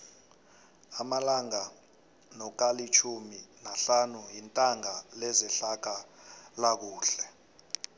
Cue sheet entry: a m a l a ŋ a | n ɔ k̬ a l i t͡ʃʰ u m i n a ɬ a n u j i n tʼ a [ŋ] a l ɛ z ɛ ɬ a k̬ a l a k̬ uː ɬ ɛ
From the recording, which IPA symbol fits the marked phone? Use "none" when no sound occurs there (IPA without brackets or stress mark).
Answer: ŋ